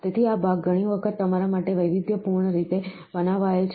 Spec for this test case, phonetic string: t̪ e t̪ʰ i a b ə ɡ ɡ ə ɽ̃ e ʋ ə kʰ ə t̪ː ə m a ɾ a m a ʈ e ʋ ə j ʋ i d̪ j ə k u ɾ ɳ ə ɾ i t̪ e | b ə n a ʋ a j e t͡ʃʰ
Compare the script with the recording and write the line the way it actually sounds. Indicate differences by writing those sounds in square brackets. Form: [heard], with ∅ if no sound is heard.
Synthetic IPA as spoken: t̪ e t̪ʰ i a b [a] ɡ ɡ ə ɽ̃ [i] ʋ ə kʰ ə t̪ː ə m a ɾ a m a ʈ e ʋ ə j ʋ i d̪ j ə [p] u ɾ ɳ ə ɾ i t̪ e | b ə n a ʋ a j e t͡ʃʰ